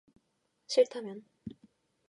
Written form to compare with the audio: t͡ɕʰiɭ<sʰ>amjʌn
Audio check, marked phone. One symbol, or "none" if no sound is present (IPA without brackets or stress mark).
tʰ